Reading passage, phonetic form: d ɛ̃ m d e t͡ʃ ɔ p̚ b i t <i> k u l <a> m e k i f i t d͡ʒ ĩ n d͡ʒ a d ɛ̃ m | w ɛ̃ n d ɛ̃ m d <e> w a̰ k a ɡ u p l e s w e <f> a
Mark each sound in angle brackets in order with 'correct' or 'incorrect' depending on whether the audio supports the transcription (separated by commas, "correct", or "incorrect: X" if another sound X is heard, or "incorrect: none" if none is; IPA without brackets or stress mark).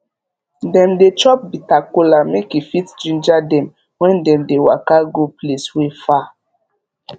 incorrect: a, correct, correct, correct